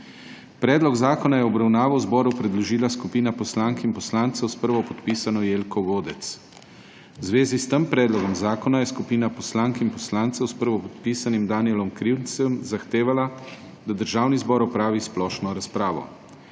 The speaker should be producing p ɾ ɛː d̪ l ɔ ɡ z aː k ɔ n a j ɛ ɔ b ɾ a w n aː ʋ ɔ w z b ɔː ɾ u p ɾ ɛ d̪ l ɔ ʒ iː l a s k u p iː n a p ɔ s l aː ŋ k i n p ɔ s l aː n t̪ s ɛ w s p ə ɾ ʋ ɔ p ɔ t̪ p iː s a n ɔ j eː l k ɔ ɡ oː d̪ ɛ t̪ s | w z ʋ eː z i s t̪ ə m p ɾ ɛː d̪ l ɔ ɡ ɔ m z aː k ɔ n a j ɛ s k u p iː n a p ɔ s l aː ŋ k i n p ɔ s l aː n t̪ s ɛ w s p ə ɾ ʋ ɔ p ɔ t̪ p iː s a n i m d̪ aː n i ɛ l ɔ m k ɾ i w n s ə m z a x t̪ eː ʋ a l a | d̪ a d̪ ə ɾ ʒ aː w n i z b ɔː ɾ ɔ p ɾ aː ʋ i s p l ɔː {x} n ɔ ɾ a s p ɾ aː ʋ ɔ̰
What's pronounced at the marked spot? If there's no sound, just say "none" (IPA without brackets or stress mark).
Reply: ʃ